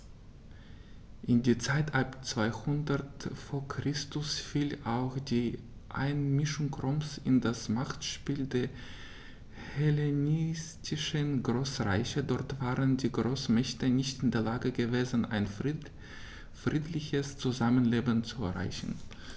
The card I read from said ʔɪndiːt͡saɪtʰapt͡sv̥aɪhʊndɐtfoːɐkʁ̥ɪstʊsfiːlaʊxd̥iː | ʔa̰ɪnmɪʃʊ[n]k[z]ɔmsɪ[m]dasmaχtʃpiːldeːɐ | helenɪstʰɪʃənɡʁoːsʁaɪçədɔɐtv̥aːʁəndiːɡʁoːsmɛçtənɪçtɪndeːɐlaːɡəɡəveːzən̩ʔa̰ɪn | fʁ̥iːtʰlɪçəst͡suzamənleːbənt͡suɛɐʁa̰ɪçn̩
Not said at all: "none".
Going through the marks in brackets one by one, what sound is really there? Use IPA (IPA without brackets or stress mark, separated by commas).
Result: ŋ, ʁ, n